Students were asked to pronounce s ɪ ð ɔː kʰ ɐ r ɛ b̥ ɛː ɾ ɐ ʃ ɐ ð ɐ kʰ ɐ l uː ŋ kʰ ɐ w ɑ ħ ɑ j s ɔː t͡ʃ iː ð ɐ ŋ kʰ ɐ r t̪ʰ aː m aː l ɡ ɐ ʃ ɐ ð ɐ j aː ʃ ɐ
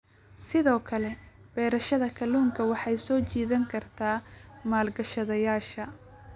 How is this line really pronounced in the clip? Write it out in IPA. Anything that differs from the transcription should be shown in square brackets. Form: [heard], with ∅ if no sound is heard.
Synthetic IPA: s ɪ ð ɔː kʰ ɐ [l] ɛ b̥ ɛː ɾ ɐ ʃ ɐ ð ɐ kʰ ɐ l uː ŋ kʰ ɐ w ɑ ħ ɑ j s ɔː t͡ʃ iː ð ɐ ŋ kʰ ɐ r t̪ʰ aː m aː l ɡ ɐ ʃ ɐ ð ɐ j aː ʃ ɐ